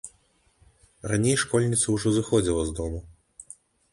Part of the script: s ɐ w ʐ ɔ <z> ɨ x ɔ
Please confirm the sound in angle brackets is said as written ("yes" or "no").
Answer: yes